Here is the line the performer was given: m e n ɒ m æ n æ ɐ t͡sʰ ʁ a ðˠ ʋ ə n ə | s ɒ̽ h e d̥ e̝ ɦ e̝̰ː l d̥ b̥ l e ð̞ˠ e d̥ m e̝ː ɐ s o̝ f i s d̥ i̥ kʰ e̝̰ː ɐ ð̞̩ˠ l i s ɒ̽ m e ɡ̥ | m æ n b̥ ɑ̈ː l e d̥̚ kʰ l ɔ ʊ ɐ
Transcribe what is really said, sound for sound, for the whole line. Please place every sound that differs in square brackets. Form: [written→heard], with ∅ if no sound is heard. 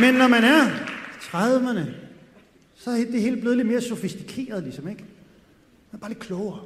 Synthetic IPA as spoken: m e [n→nː] ɒ m æ n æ ɐ t͡sʰ ʁ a ðˠ ʋ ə n ə | s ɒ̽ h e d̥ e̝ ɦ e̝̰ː l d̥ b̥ l e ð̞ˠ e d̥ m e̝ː ɐ s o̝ f i s d̥ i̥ kʰ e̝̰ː ɐ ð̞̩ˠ l i s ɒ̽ m e ɡ̥ | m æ n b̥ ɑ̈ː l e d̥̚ kʰ l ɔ ʊ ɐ